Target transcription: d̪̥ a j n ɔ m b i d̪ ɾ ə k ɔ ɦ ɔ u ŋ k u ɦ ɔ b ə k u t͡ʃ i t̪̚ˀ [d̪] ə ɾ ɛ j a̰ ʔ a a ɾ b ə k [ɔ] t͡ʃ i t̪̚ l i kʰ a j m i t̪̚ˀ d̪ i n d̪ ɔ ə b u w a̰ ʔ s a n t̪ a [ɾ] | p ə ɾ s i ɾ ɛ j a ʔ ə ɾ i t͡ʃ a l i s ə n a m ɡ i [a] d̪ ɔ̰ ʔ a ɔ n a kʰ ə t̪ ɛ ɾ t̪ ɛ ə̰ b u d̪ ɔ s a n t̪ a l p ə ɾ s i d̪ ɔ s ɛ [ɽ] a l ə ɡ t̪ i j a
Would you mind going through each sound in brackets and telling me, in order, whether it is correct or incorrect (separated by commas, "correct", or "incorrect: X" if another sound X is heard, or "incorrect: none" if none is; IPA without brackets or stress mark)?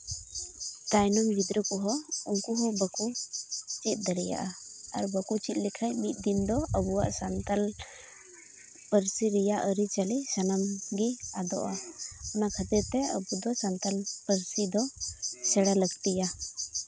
correct, incorrect: u, incorrect: l, correct, correct